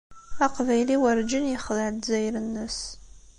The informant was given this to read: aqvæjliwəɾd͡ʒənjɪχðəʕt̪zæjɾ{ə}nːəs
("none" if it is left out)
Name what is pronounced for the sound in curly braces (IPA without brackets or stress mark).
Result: ə